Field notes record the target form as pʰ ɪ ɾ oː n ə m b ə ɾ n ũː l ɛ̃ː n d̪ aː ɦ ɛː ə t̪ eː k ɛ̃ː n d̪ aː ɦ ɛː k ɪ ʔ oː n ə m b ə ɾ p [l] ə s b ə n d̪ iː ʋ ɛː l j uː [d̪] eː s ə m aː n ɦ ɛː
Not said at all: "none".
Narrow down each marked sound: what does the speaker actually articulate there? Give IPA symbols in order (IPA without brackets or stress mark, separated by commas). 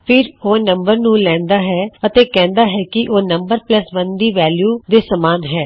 l, d̪